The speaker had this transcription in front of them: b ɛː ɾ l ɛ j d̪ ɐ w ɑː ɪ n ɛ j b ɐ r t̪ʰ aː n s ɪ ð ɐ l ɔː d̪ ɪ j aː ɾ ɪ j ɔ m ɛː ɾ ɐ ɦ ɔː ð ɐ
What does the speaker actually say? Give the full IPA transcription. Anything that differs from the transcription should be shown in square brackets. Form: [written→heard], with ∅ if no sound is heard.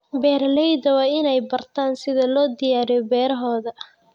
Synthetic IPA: b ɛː ɾ l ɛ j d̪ ɐ w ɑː ɪ n ɛ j b ɐ r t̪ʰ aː n s ɪ ð ɐ l ɔː d̪ ɪ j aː ɾ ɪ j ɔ [m→b] ɛː ɾ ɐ ɦ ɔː ð ɐ

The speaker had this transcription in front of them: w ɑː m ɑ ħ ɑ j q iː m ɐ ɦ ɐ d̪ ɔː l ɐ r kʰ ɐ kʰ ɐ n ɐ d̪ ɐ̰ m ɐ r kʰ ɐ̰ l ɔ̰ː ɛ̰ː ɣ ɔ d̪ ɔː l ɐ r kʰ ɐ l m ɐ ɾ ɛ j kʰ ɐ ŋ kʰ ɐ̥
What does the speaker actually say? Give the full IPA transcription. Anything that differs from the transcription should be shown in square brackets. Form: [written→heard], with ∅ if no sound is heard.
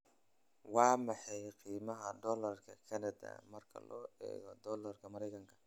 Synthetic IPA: w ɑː m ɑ ħ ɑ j q iː m ɐ ɦ ɐ d̪ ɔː l ɐ r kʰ ɐ kʰ ɐ n ɐ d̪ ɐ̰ m ɐ r kʰ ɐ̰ l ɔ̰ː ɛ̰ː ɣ ɔ d̪ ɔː l ɐ r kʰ ɐ [l→∅] m ɐ ɾ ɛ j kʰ ɐ ŋ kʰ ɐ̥

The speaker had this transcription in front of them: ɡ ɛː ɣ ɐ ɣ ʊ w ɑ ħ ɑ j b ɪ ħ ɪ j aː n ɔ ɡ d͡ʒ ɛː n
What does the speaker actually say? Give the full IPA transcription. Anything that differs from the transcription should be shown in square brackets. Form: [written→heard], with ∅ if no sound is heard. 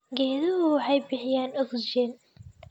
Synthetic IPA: ɡ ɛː [ɣ→ð] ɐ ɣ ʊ w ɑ ħ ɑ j b ɪ ħ ɪ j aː n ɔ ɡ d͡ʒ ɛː n

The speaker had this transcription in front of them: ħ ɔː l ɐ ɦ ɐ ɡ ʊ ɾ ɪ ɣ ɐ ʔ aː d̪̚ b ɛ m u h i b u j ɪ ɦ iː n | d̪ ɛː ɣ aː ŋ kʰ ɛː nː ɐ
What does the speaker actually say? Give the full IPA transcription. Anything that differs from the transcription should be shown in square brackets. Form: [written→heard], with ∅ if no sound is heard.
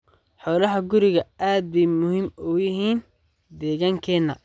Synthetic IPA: ħ ɔː l ɐ ɦ ɐ ɡ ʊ ɾ ɪ ɣ ɐ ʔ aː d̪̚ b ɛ m [u→ʊ] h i [b→m] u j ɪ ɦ iː n | d̪ ɛː ɣ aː ŋ kʰ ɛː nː ɐ

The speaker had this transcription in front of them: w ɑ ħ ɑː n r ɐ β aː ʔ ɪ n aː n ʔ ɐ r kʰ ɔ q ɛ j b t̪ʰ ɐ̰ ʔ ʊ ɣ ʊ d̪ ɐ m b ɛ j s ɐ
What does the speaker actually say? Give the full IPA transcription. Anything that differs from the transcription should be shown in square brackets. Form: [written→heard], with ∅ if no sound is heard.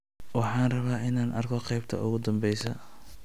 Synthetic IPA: w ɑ ħ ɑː n r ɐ β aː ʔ ɪ n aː n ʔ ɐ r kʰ ɔ q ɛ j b t̪ʰ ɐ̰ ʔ ʊ ɣ ʊ d̪ ɐ m b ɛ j s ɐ

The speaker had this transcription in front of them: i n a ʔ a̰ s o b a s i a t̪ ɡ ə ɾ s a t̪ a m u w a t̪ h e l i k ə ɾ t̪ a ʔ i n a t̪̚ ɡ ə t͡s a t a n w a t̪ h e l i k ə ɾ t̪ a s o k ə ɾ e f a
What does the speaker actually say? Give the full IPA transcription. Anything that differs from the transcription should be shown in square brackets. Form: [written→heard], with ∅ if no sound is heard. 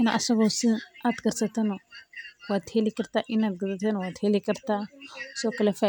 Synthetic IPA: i n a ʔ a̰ s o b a s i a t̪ ɡ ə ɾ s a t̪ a [m→n] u w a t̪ h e l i k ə ɾ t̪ a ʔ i n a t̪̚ ɡ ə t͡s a t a n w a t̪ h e l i k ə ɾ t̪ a s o k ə [ɾ→l] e f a

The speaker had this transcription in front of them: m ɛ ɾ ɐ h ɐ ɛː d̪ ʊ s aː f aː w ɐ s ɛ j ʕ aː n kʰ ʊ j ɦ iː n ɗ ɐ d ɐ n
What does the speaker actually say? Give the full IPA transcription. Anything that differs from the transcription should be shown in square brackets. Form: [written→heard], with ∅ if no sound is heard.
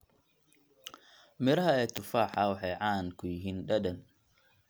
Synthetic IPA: m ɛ ɾ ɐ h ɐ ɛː [d̪→t̪] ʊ [s→f] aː [f→ħ] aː w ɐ [s→ħ] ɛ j ʕ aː n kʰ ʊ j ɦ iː n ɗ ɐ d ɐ n

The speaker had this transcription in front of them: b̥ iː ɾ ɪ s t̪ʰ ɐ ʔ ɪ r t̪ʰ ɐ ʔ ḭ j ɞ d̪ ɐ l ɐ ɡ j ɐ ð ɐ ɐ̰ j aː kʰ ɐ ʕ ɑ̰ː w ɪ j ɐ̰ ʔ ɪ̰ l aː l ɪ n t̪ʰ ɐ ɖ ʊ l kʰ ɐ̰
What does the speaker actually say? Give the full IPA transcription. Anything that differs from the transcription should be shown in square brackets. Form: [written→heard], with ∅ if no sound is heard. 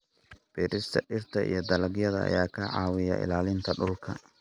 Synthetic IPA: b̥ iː ɾ ɪ s t̪ʰ ɐ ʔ ɪ r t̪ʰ ɐ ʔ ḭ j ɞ d̪ ɐ l ɐ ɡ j ɐ ð ɐ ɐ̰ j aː kʰ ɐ ʕ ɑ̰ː w ɪ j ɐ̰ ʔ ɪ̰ l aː l ɪ n t̪ʰ ɐ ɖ ʊ l kʰ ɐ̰

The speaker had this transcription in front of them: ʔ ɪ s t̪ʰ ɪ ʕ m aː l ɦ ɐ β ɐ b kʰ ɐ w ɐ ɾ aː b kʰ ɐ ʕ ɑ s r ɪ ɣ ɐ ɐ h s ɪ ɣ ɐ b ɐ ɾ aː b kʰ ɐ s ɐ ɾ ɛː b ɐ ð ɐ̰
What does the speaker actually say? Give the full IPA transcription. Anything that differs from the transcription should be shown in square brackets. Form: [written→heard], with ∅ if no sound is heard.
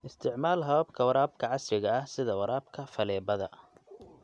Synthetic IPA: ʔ ɪ s t̪ʰ ɪ ʕ m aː l ɦ ɐ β ɐ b kʰ ɐ w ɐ ɾ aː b kʰ ɐ ʕ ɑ s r ɪ ɣ ɐ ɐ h s ɪ [ɣ→ð] ɐ [b→w] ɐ ɾ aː b kʰ ɐ [s→f] ɐ [ɾ→l] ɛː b ɐ ð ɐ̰

